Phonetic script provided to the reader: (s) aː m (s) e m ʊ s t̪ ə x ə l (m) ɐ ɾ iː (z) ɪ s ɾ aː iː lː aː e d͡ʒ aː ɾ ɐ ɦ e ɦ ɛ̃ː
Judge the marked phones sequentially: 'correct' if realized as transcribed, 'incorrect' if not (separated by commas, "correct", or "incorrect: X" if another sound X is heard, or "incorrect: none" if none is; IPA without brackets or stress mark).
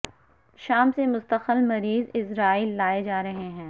incorrect: ʃ, correct, correct, correct